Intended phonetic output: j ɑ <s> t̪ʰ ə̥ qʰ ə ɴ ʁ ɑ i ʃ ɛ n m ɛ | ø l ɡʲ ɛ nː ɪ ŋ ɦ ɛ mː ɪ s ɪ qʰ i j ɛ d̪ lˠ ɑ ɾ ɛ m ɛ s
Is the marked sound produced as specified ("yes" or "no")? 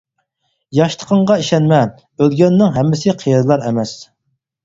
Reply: no